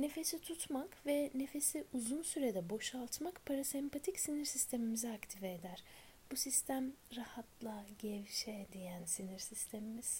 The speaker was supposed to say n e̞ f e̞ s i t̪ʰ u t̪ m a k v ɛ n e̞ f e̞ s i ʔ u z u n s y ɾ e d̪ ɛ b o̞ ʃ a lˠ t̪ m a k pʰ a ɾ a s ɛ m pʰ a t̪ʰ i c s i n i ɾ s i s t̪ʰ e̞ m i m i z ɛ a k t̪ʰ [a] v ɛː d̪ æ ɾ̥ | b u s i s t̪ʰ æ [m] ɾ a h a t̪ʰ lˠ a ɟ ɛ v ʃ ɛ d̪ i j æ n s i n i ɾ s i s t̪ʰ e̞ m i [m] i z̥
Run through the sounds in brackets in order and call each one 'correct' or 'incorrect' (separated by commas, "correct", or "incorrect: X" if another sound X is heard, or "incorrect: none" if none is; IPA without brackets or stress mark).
incorrect: i, correct, correct